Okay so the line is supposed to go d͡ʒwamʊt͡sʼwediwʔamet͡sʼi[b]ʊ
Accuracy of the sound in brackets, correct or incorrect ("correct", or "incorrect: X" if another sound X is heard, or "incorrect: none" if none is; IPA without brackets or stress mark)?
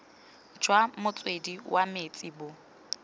correct